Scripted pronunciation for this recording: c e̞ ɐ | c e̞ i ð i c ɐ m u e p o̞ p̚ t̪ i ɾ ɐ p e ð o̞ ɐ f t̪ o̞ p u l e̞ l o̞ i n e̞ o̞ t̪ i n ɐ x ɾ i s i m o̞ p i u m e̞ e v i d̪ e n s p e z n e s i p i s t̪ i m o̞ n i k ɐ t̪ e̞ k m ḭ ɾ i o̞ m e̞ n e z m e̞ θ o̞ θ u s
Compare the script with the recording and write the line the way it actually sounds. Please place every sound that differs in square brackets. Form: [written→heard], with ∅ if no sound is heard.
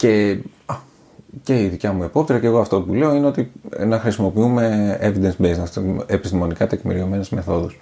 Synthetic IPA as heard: c e̞ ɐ | c e̞ i ð i c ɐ m u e p o̞ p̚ t̪ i ɾ ɐ [p→c] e [ð→ɣ] o̞ ɐ f t̪ o̞ p u l e̞ [l→∅] o̞ i n e̞ o̞ t̪ i n ɐ x ɾ i s i m o̞ p i u m e̞ e v i d̪ e n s [p→b] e z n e s [i→e] p i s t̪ i m o̞ n i k ɐ t̪ e̞ k m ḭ ɾ i o̞ m e̞ n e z m e̞ θ o̞ [θ→ð] u s